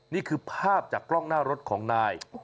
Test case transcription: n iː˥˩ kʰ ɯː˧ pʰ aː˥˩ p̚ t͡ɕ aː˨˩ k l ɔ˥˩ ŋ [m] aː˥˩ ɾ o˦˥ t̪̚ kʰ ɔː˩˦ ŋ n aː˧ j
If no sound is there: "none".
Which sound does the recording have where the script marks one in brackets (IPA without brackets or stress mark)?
n